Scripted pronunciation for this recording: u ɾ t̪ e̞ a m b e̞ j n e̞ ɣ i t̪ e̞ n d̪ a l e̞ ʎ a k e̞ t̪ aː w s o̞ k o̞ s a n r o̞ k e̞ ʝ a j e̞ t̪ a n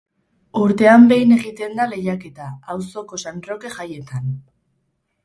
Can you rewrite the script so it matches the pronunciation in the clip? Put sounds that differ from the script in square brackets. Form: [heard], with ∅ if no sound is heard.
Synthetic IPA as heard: u ɾ t̪ e̞ a m b e̞ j n e̞ ɣ i t̪ e̞ n d̪ a l e̞ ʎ a k e̞ t̪ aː w s o̞ k o̞ s a n r o̞ k e̞ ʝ a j e̞ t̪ a n

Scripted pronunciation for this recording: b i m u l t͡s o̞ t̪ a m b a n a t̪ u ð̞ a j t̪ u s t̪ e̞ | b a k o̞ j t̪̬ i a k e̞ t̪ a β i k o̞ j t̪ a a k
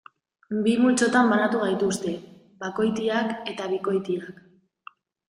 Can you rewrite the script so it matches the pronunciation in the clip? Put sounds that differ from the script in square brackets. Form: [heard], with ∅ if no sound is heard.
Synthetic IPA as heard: b i m u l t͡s o̞ t̪ a m b a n a t̪ u [ɣ̞] a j t̪ u s t̪ e̞ | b a k o̞ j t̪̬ i a k e̞ t̪ a β i k o̞ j t̪ [i] a k

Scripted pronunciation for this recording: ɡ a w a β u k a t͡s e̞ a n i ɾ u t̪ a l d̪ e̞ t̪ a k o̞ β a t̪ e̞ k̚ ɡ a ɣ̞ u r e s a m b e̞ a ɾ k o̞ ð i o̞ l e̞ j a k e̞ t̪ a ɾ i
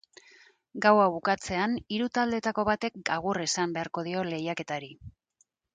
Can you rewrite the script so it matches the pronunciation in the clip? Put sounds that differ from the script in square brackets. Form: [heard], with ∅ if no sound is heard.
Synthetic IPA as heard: ɡ a w a β u k a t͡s e̞ a n i ɾ u t̪ a l d̪ e̞ t̪ a k o̞ β a t̪ e̞ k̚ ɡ a ɣ̞ u r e s a m b e̞ a ɾ k o̞ ð i o̞ l e̞ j a k e̞ t̪ a ɾ i

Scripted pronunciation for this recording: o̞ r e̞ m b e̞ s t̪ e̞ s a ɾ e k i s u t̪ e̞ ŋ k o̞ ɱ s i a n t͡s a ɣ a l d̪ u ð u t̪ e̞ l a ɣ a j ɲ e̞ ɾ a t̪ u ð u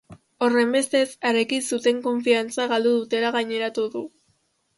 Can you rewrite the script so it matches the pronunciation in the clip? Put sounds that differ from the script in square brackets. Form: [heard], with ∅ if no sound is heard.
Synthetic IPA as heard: o̞ r e̞ m b e̞ s t̪ e̞ s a ɾ e k i s u t̪ e̞ ŋ k o̞ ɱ [f] i a n t͡s a ɣ a l d̪ u ð u t̪ e̞ l a ɣ a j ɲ e̞ ɾ a t̪ u ð u

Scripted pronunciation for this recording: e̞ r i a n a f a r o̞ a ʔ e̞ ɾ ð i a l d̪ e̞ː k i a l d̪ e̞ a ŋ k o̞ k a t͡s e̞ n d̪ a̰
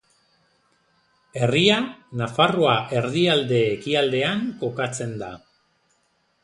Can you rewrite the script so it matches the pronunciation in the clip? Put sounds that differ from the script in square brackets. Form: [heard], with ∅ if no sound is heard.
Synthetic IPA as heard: e̞ r i a n a f a r o̞ a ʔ e̞ ɾ ð i a l d̪ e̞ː k i a l d̪ e̞ a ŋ k o̞ k a t͡s e̞ n d̪ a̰

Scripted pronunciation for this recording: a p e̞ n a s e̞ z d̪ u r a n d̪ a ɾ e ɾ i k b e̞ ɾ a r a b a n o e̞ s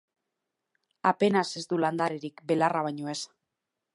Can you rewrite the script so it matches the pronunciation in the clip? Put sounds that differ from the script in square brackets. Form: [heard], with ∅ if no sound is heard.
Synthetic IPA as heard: a p e̞ n a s e̞ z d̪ u [l] a n d̪ a ɾ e ɾ i k b e̞ [l] a r a [β] a [ɲ] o e̞ s

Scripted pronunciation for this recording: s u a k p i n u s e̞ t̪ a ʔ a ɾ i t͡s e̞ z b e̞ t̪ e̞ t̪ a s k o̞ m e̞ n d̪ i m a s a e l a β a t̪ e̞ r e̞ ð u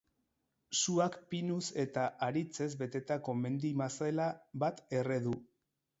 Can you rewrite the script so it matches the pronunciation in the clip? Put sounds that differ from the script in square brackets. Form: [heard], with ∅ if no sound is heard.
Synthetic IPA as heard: s u a k p i n u s e̞ t̪ a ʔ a ɾ i t͡s e̞ z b e̞ t̪ e̞ t̪ a [∅] k o̞ m e̞ n d̪ i m a s a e l a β a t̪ e̞ r e̞ ð u

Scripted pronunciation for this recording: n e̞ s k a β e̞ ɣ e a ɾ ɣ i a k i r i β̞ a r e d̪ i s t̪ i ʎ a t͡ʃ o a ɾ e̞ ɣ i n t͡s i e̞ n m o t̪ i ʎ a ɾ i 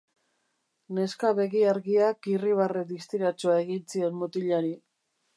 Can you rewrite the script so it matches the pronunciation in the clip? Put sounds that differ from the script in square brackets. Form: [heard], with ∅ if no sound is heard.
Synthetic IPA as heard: n e̞ s k a β e̞ ɣ [i] a ɾ ɣ i a k i r i β̞ a r e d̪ i s t̪ i [ɾ] a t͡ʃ o a [∅] e̞ ɣ i n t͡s i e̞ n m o t̪ i ʎ a ɾ i

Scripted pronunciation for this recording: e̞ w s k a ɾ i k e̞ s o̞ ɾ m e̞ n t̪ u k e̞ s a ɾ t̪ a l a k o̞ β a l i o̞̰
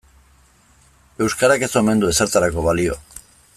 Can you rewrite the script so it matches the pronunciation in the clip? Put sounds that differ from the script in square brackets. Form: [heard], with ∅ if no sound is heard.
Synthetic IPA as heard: e̞ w s k a ɾ [a] k e̞ s o̞ [∅] m e̞ n [d̪] u [∅] e̞ s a ɾ t̪ a [ɾ] a k o̞ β a l i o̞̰

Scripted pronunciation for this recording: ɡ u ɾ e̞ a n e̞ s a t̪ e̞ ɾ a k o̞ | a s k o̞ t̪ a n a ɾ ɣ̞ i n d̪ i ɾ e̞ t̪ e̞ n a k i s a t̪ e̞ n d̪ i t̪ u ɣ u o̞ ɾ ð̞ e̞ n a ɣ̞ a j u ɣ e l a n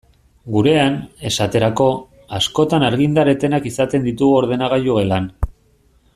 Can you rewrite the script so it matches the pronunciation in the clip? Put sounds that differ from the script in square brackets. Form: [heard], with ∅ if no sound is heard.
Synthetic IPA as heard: ɡ u ɾ e̞ a n e̞ s a t̪ e̞ ɾ a k o̞ | a s k o̞ t̪ a n a ɾ ɣ̞ i n d̪ [a] ɾ e̞ t̪ e̞ n a k i s a t̪ e̞ n d̪ i t̪ u ɣ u o̞ ɾ ð̞ e̞ n a ɣ̞ a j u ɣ e l a n

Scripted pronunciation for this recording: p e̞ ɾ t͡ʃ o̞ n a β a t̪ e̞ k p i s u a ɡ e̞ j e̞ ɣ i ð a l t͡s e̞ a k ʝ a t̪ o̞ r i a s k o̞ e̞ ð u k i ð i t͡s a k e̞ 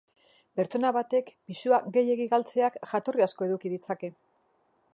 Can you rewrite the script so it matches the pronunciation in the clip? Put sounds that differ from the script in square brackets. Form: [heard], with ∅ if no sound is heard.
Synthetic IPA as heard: p e̞ ɾ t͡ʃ o̞ n a β a t̪ e̞ k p i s u a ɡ e̞ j e̞ ɣ i [ɣ] a l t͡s e̞ a k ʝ a t̪ o̞ r i a s k o̞ e̞ ð u k i ð i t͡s a k e̞

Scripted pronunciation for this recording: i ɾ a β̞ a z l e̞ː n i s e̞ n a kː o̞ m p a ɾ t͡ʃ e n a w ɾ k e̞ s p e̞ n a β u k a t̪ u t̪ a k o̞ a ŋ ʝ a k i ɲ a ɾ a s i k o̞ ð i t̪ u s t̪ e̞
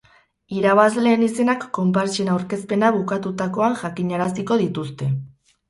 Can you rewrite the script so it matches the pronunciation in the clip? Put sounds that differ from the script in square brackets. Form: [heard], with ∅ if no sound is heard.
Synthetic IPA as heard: i ɾ a β̞ a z l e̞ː n i s e̞ n a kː o̞ m p a ɾ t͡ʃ e n a w ɾ k e̞ s p e̞ n a β u k a t̪ u t̪ a k o̞ a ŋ ʝ a k i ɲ a ɾ a s i k o̞ ð i t̪ u s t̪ e̞

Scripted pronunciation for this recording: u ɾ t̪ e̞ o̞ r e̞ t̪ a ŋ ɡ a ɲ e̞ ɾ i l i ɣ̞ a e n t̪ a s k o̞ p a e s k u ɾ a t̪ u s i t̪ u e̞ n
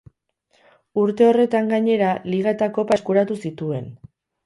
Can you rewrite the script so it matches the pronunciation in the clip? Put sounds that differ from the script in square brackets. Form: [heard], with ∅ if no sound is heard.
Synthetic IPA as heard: u ɾ t̪ e̞ o̞ r e̞ t̪ a ŋ ɡ a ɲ e̞ ɾ [a] l i ɣ̞ a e [∅] t̪ a [∅] k o̞ p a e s k u ɾ a t̪ u s i t̪ u e̞ n

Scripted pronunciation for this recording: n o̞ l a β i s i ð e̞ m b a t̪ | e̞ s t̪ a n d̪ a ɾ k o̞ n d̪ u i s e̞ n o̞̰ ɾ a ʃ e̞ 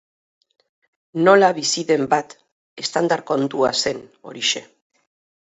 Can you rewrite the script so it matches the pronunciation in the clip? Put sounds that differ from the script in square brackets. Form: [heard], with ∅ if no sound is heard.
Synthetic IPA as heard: n o̞ l a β i s i ð e̞ m b a t̪ | e̞ s t̪ a n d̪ a ɾ k o̞ n [t̪] u [a] s e̞ n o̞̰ ɾ [i] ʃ e̞

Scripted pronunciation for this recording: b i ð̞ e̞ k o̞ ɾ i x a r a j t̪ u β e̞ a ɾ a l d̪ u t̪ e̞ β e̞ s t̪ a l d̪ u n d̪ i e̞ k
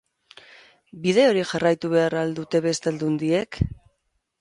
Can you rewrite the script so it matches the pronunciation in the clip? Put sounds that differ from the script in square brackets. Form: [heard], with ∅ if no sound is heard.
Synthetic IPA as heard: b i ð̞ e̞ [∅] o̞ ɾ i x a r a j t̪ u β e̞ a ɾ a l d̪ u t̪ e̞ β e̞ s t̪ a l d̪ u n d̪ i e̞ k

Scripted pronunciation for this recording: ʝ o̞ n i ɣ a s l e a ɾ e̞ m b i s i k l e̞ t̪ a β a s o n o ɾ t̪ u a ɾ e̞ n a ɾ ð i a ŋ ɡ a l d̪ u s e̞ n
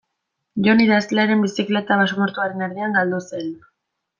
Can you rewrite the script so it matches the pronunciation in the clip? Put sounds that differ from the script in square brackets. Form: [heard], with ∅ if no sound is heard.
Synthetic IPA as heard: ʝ o̞ n i [ð] a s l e a ɾ e̞ m b i s i k l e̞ t̪ a β a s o [m] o ɾ t̪ u a ɾ e̞ n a ɾ ð i a ŋ ɡ a l d̪ u s e̞ n

